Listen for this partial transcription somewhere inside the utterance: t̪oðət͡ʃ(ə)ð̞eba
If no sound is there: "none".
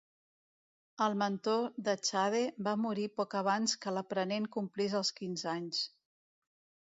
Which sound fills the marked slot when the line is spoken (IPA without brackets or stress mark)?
a